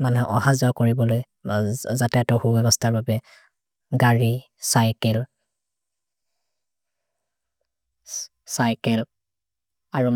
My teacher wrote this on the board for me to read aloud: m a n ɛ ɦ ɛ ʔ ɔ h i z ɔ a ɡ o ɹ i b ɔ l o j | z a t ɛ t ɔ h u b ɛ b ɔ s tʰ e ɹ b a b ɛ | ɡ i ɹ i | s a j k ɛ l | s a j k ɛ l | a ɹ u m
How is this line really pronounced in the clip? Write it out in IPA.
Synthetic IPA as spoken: m a n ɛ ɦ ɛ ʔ ɔ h a z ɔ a k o ɹ i b ɔ l o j | z a t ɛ t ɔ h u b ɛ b ɔ s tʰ a ɹ b a b ɛ | ɡ a ɹ i | s a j k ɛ l | s a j k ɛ l | a ɹ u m